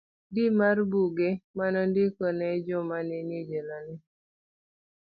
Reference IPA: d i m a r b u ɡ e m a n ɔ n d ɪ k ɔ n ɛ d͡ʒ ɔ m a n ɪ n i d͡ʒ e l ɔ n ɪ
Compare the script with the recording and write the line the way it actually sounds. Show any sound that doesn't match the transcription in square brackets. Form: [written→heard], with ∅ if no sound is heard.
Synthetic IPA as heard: d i m a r b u ɡ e m a n ɔ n d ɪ k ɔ n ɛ d͡ʒ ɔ m a n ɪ n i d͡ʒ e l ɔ n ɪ

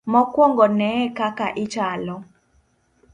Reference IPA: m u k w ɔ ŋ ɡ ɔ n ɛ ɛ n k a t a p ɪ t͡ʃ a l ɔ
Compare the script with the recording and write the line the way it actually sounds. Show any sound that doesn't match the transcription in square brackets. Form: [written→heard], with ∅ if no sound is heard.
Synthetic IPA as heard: m [u→ɔ] k w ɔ ŋ ɡ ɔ n ɛ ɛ [n→∅] k a [t→k] a [p→ʔ] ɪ t͡ʃ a l ɔ

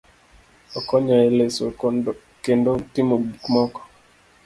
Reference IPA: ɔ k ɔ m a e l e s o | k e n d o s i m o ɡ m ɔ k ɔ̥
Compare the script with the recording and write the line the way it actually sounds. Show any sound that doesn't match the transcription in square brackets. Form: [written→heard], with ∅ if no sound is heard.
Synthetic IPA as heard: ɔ k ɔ [m→ɲ] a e l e s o | k e n d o [s→t] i m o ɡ m ɔ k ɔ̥

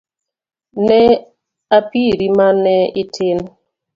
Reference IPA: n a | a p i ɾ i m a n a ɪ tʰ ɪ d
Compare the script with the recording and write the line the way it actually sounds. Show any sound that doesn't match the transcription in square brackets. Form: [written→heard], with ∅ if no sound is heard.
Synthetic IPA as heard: n [a→ɛ] | a p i ɾ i m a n [a→ɛ] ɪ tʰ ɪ [d→n]

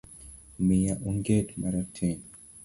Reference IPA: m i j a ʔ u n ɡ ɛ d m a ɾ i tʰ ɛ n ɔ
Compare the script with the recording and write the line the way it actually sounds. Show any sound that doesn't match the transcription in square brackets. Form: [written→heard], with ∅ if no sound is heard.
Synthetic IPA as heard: m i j a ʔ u [n→ŋ] ɡ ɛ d m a ɾ [i→a] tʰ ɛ n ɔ

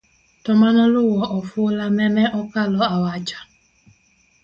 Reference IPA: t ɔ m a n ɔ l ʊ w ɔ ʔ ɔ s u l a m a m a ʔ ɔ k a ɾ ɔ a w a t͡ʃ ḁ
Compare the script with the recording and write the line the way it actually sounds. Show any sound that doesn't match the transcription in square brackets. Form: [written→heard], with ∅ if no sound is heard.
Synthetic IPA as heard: t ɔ m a n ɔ l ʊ w ɔ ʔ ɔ [s→f] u l a m [a→ɛ] m [a→ɛ] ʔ ɔ k a [ɾ→l] ɔ a w a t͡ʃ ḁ

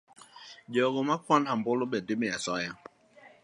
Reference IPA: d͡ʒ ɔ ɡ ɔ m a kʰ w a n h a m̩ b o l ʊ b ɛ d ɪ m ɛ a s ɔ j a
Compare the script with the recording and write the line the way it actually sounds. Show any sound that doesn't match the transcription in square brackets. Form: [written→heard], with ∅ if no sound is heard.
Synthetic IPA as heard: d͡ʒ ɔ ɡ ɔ m a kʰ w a n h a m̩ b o l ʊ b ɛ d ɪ m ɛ a s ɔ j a

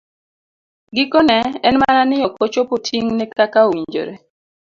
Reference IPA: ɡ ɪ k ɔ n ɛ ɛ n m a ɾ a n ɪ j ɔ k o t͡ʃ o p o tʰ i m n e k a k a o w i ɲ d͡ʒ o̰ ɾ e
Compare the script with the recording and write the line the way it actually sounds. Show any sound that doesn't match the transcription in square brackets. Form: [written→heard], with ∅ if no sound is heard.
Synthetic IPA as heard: ɡ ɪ k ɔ n ɛ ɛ n m a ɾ a n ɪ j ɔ k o t͡ʃ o p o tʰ i [m→ŋ] n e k a k a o w i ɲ d͡ʒ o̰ ɾ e

